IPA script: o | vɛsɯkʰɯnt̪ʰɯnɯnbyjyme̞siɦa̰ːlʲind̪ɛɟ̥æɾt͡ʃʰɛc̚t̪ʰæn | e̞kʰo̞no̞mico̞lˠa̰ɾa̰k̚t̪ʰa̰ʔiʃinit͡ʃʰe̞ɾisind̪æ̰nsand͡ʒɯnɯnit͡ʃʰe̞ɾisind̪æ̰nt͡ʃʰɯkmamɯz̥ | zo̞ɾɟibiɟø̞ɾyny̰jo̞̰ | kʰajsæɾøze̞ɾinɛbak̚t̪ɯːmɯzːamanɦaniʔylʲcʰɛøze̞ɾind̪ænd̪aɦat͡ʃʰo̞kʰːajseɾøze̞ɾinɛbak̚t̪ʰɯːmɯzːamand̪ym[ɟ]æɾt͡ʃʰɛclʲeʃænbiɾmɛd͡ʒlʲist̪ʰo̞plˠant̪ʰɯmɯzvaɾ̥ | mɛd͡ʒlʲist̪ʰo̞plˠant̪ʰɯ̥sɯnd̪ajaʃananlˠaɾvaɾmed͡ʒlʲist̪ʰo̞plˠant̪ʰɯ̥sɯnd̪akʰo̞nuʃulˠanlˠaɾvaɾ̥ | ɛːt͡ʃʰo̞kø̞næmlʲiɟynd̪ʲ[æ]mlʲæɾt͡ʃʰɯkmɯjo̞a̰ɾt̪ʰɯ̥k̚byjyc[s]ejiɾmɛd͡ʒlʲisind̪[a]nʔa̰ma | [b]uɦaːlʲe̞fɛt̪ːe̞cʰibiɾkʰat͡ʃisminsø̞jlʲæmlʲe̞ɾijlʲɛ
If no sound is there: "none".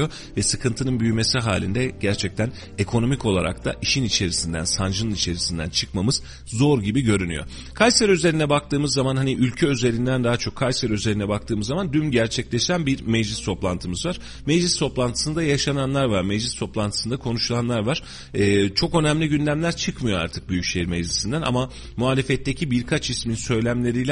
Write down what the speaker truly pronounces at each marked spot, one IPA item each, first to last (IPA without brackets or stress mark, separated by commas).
ɟ, æ, ʃ, æ, m